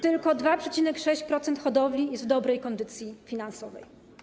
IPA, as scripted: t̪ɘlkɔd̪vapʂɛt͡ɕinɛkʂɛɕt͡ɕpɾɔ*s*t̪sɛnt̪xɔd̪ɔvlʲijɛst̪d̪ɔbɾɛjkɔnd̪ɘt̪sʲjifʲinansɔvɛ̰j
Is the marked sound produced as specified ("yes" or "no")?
no